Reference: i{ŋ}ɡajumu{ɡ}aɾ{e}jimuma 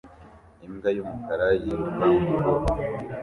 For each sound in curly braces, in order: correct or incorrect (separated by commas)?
incorrect, incorrect, incorrect